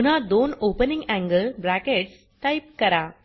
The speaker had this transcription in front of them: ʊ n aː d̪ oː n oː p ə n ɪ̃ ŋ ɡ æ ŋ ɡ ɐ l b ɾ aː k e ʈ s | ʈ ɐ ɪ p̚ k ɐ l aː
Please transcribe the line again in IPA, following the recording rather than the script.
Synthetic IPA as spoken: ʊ n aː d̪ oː n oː p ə n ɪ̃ ŋ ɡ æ ŋ ɡ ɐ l b ɾ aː k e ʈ s | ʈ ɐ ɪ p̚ k ɐ ɾ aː